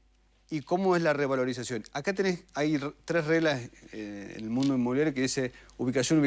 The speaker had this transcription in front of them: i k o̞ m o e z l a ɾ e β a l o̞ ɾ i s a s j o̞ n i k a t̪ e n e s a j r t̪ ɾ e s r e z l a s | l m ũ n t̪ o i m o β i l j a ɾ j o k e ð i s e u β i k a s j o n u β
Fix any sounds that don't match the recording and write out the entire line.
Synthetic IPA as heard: i k o̞ m o e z l a r e β a l o̞ ɾ i s a s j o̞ n a k a t̪ e n e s a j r t̪ ɾ e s r e ɣ l a s | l m ũ n d̪ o i m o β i l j a ɾ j o k e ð i s e u β i k a s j o n u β